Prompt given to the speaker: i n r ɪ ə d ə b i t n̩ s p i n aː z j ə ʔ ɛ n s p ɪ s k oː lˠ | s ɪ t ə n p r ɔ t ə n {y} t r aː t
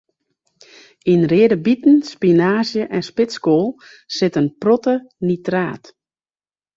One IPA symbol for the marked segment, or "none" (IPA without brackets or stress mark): i